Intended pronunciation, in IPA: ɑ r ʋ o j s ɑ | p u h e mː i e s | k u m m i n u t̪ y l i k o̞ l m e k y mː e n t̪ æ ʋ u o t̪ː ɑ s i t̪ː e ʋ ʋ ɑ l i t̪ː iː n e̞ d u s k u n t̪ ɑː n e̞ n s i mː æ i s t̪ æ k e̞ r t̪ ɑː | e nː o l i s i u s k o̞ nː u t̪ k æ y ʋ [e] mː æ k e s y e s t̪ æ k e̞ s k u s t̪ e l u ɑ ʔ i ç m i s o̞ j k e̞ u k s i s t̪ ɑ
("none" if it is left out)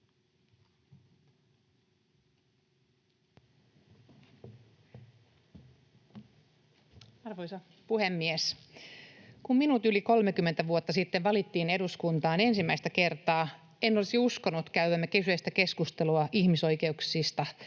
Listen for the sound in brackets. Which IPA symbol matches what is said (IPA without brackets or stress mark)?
æ